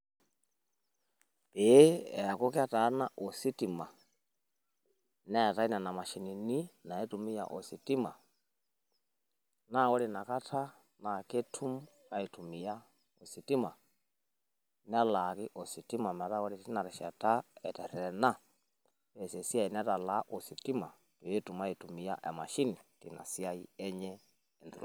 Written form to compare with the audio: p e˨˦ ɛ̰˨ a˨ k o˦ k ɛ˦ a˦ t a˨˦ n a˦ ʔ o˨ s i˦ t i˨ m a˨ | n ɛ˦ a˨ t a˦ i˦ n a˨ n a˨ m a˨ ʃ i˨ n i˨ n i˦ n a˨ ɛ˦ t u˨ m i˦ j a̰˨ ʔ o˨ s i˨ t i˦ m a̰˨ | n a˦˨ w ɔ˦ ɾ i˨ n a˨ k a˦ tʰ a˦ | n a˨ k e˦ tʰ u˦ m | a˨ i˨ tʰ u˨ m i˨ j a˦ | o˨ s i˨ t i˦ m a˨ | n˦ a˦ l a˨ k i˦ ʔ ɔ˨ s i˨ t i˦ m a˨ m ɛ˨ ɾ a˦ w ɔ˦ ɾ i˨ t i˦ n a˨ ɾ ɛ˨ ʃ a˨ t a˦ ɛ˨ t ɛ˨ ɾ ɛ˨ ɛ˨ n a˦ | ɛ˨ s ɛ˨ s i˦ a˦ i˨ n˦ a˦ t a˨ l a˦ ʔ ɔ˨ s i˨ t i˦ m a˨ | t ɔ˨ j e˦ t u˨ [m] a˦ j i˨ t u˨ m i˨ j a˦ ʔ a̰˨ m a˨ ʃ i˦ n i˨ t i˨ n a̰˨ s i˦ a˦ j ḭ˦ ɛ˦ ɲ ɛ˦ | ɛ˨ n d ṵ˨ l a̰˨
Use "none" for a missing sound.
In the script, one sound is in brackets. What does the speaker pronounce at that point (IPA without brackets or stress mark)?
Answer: m